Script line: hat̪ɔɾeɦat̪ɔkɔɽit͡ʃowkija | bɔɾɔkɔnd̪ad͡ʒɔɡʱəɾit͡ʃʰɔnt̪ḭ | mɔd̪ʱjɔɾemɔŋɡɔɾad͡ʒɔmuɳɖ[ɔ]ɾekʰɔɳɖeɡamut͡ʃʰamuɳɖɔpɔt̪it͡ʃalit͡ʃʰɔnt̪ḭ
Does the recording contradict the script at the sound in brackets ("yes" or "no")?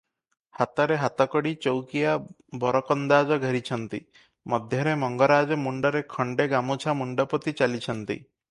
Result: no